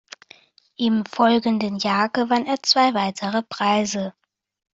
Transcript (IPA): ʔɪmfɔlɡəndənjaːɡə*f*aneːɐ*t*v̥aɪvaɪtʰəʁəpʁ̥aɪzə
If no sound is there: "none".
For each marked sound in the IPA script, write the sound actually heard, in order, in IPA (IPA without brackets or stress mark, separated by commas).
v, t͡s